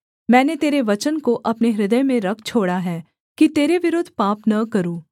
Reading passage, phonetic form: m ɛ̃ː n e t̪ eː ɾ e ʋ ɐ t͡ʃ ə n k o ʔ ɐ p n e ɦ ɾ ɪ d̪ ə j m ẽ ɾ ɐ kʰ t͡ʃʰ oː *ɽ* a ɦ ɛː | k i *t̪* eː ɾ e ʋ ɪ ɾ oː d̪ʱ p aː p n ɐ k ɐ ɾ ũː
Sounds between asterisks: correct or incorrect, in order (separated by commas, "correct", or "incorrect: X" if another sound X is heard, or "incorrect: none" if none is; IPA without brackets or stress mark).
correct, correct